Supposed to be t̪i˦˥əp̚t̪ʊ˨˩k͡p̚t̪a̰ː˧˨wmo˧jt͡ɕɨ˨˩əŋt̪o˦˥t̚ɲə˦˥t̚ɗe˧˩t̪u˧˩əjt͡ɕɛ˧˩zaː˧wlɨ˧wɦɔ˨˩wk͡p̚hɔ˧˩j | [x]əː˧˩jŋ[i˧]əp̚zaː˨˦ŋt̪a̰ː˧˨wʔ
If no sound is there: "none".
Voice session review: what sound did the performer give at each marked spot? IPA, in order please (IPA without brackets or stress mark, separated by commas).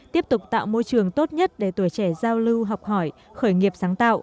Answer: x, i˨˩